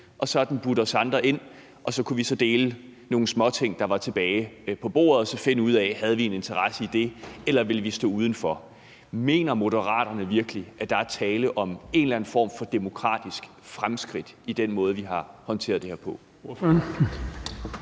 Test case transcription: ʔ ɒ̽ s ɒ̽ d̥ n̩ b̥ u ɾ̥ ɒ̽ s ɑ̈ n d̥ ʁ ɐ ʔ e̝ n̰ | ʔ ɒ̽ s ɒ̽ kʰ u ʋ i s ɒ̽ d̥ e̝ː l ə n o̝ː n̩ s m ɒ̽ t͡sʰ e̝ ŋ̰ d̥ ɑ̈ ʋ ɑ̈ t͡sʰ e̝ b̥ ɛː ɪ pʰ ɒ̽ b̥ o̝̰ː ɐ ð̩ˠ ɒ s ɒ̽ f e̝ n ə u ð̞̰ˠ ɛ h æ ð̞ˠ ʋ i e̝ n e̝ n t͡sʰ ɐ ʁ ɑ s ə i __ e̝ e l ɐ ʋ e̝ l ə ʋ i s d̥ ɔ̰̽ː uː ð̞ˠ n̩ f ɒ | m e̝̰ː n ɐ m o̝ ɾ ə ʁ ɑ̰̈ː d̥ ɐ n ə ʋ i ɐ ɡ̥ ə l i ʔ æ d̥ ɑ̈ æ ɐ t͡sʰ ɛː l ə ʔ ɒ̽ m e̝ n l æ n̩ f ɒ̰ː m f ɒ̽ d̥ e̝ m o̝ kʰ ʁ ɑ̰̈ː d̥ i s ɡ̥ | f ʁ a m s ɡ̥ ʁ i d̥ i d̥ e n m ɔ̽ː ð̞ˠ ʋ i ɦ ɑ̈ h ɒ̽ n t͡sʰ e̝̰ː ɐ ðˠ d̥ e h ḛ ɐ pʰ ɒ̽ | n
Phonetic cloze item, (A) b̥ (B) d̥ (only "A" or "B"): B